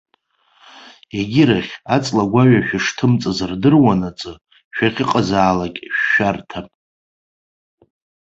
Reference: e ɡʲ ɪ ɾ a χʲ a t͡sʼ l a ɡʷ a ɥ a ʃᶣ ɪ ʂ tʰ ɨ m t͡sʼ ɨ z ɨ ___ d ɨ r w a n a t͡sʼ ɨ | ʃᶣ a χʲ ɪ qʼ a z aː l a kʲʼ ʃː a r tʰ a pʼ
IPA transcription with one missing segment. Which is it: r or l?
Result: r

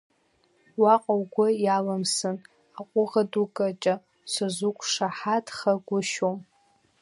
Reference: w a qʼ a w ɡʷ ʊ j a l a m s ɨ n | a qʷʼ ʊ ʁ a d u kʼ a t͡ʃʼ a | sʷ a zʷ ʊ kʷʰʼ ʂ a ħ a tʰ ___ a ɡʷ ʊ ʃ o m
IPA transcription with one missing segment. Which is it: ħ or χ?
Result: χ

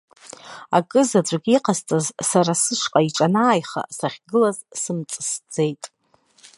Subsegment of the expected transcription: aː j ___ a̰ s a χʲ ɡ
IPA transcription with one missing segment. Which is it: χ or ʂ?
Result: χ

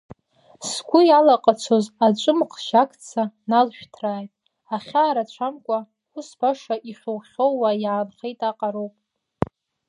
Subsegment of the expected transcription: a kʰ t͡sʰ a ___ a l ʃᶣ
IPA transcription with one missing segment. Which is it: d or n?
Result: n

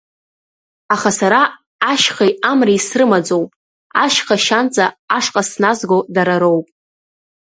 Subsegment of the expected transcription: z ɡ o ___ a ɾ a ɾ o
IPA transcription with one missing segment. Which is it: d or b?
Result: d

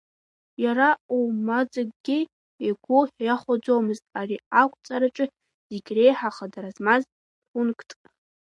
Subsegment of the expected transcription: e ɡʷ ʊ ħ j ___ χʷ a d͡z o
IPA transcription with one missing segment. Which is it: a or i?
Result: a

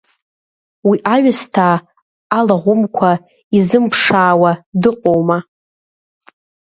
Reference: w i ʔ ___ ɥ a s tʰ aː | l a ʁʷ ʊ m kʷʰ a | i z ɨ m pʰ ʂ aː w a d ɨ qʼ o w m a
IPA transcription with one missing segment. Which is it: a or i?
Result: a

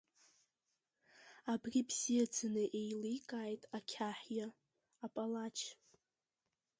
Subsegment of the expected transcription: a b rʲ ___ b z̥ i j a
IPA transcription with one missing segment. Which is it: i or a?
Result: i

